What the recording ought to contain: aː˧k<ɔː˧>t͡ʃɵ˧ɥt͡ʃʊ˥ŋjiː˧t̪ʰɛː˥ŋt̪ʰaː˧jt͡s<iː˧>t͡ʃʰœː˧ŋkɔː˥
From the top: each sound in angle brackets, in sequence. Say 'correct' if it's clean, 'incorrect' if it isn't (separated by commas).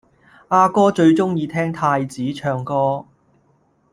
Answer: incorrect, incorrect